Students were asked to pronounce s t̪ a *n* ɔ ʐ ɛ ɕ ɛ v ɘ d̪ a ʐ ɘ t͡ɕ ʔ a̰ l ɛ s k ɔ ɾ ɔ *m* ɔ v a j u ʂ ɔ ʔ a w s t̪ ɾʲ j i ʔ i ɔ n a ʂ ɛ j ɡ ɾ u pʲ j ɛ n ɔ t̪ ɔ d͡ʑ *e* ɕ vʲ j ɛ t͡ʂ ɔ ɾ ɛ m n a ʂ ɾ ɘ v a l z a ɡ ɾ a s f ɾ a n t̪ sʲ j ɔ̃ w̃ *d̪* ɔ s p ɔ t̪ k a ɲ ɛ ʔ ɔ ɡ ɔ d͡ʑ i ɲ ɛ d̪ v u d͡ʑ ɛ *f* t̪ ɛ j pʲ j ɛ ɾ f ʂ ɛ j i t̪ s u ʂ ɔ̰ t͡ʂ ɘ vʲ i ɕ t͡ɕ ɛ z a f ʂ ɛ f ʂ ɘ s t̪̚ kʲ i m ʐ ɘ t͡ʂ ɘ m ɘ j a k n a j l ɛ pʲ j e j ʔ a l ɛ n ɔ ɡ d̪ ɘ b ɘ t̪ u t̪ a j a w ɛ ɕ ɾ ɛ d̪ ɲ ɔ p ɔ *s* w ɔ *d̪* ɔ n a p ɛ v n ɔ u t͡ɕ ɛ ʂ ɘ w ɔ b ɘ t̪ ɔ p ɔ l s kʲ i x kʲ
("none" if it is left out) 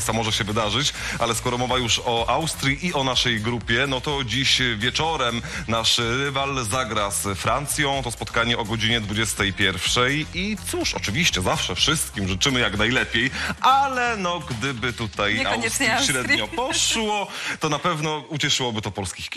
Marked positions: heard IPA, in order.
m, m, i, t̪, s, ʂ, t̪

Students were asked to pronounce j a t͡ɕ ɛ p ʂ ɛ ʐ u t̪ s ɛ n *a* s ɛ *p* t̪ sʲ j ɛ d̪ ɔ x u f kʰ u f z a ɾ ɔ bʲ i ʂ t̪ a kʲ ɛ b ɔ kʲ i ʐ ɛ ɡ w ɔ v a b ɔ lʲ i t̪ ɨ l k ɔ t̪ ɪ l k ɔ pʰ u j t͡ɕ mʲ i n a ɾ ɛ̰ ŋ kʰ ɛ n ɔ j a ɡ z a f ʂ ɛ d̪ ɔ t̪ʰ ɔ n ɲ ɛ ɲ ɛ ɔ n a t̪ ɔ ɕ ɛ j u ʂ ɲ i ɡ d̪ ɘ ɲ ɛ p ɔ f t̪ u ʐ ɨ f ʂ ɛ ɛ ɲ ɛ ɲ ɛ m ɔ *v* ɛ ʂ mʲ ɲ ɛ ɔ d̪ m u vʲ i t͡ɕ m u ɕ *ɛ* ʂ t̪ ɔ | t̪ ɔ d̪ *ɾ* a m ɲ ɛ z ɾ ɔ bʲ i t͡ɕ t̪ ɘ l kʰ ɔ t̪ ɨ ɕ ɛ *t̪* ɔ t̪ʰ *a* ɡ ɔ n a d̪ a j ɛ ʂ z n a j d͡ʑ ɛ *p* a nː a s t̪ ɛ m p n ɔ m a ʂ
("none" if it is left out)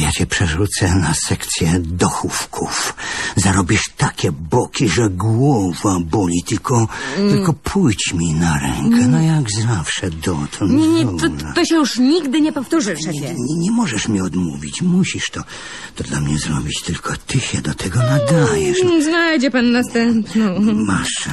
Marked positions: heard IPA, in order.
a, k, ʐ, i, l, d̪, ɛ, p

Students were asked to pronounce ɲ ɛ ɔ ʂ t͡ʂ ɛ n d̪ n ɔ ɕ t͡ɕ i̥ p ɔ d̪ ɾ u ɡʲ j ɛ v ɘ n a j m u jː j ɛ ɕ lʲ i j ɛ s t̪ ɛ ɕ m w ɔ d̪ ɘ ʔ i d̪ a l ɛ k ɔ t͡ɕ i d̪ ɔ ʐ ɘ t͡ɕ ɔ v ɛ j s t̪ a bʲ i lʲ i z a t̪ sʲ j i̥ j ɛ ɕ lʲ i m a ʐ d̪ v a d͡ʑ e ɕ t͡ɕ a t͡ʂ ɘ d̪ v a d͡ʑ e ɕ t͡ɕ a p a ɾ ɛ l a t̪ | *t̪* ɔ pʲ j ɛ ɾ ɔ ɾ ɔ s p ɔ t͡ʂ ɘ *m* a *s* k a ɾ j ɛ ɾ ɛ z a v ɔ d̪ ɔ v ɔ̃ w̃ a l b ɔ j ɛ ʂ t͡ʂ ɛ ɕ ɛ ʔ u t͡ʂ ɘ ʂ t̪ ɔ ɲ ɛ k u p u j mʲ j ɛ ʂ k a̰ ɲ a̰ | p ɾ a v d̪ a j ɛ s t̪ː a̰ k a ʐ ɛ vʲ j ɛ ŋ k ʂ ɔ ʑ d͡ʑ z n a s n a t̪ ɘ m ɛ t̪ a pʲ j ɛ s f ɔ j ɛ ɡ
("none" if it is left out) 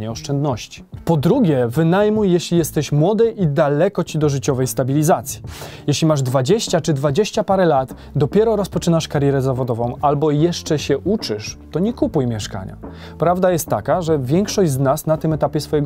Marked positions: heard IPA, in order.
d̪, n, ʂ

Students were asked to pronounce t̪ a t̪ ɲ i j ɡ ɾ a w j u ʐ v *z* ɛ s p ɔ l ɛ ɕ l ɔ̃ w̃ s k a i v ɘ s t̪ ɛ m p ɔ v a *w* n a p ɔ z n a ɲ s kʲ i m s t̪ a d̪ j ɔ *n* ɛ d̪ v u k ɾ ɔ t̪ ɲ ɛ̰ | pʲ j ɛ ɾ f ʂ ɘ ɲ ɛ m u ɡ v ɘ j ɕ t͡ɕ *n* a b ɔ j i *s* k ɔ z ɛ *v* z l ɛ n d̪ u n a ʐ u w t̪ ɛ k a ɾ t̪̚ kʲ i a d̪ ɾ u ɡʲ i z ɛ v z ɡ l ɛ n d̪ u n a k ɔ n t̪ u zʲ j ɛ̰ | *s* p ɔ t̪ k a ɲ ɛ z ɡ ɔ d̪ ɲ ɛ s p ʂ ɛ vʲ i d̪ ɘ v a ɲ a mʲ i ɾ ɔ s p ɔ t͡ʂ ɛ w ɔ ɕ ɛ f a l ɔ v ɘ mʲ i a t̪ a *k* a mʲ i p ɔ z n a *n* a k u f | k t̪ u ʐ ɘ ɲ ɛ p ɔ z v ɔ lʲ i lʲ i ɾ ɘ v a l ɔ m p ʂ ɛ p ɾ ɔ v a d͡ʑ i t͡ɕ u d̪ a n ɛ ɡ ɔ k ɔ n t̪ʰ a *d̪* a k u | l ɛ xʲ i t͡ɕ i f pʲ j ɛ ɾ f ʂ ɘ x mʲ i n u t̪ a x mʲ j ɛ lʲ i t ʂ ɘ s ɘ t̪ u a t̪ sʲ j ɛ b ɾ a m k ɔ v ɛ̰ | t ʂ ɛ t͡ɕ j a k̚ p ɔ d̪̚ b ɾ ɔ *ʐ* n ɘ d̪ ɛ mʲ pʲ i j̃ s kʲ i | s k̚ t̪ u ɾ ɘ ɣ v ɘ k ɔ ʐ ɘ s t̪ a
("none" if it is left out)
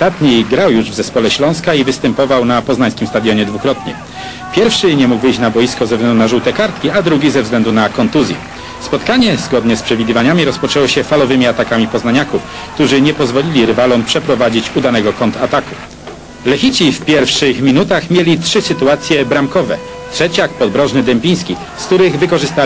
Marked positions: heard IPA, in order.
z, w, ɲ, n, s, v, s, k, ɲ, t̪, ʐ

